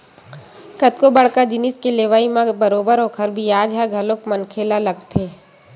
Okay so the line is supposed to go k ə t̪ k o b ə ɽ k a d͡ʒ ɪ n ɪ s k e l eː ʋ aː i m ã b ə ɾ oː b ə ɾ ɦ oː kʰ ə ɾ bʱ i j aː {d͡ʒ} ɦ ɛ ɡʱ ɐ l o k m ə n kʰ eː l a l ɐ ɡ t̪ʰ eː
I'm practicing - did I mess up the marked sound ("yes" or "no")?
no